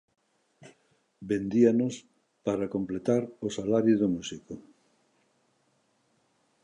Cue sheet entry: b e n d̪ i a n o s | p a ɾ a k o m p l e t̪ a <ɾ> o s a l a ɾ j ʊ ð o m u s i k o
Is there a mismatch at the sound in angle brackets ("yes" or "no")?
no